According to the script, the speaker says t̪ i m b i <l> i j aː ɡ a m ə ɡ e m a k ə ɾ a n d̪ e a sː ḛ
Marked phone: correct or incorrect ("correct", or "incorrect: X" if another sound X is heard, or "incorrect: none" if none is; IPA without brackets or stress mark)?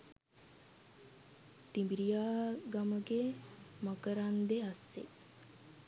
incorrect: ɾ